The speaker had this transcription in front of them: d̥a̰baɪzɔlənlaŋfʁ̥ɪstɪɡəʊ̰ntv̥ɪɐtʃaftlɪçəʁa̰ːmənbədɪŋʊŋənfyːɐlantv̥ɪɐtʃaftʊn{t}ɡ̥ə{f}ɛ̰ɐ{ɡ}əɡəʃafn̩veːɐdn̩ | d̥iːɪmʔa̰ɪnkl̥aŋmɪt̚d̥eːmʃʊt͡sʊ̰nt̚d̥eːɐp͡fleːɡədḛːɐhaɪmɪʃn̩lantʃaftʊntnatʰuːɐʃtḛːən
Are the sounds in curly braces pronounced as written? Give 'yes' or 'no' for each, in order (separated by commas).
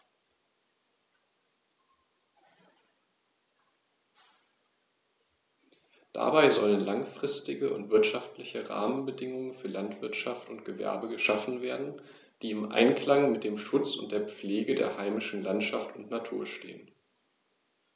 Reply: yes, no, no